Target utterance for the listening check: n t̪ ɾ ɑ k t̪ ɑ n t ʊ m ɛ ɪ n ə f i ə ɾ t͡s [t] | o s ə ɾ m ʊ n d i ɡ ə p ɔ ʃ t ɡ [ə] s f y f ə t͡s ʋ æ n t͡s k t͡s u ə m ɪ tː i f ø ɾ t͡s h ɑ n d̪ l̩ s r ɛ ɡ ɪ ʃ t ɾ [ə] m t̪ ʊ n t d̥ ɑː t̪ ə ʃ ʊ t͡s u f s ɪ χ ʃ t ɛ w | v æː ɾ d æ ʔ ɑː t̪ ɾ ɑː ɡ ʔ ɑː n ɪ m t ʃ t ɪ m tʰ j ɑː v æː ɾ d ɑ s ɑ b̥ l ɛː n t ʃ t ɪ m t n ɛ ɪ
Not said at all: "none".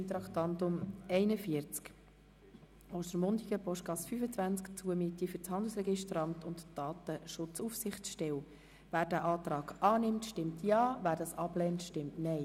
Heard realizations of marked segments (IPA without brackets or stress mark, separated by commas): k, ɑ, ɑ